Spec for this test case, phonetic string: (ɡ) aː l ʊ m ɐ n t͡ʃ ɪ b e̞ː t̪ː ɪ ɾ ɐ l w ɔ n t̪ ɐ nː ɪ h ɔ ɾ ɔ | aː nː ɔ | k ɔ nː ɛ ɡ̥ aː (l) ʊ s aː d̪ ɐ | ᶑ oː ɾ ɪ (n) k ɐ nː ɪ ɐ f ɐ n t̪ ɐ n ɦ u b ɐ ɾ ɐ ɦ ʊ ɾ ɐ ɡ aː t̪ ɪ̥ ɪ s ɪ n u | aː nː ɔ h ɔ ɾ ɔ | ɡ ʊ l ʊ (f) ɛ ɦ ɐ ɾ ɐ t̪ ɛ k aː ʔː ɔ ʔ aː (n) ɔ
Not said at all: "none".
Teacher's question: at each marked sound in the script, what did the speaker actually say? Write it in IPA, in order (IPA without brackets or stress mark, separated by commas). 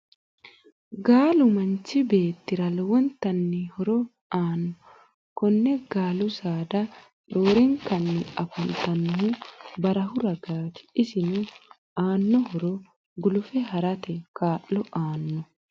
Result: ɡ, l, ŋ, f, nː